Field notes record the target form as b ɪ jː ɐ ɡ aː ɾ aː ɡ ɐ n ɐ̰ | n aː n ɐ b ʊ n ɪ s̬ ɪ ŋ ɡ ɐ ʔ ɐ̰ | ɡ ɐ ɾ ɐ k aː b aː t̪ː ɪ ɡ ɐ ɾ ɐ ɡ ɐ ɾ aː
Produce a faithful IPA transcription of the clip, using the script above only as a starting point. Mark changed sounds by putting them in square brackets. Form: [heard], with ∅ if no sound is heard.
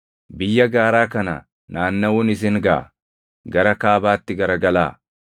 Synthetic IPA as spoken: b ɪ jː ɐ ɡ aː ɾ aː [k] ɐ n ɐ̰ | n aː [nː] ɐ [w] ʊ n ɪ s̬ ɪ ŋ ɡ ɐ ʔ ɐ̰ | ɡ ɐ ɾ ɐ k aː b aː t̪ː ɪ ɡ ɐ ɾ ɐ ɡ ɐ [l] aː